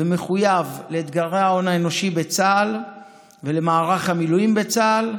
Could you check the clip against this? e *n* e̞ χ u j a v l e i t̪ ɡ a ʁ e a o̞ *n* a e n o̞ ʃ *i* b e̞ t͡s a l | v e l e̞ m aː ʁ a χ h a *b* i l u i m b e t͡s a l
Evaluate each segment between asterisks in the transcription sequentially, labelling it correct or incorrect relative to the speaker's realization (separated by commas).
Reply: incorrect, correct, correct, incorrect